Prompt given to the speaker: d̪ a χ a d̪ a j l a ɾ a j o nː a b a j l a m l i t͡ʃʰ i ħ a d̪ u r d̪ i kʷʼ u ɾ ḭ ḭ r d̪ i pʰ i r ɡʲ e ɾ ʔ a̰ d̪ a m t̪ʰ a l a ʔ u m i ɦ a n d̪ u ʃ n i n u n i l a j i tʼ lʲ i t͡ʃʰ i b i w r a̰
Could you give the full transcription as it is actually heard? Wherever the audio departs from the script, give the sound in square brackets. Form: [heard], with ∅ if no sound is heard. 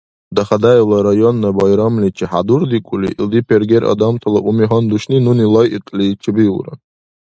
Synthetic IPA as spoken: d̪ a χ a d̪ a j l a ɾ a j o nː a b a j [ɾ] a m l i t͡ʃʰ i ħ a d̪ u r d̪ i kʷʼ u [l] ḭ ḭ [l] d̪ i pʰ [e] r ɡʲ e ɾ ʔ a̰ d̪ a m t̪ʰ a l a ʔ u m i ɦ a n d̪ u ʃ n i n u n i l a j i tʼ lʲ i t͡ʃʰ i b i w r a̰